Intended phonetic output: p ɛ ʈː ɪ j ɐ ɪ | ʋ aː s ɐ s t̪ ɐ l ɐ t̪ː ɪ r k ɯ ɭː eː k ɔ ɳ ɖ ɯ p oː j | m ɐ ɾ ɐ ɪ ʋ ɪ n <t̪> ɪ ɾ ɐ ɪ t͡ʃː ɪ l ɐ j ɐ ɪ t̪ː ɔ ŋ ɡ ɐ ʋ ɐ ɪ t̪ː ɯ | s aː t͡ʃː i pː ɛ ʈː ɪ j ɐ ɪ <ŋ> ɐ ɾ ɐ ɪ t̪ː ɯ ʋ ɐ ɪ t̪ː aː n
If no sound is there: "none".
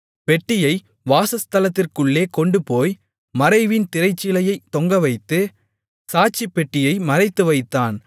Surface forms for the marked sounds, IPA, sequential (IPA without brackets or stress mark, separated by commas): t̪, m